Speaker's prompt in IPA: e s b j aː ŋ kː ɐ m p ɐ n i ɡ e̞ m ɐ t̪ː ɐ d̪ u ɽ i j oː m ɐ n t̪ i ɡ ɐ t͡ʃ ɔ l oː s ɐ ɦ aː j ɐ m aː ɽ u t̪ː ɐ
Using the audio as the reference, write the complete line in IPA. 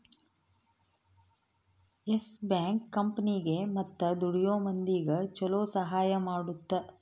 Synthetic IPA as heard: e s b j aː ŋ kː ɐ m p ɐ n i ɡ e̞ m ɐ t̪ː ɐ d̪ u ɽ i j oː m ɐ n d̪ i ɡ ɐ t͡ʃ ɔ l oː s ɐ ɦ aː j ɐ m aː ɽ u t̪ː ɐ